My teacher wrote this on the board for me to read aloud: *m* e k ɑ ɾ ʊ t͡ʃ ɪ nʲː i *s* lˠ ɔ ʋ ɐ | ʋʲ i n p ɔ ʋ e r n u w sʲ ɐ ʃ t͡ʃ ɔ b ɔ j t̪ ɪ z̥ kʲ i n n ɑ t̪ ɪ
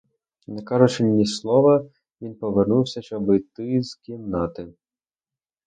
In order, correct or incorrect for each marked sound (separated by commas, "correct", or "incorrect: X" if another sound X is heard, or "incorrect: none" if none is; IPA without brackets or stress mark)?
incorrect: n, correct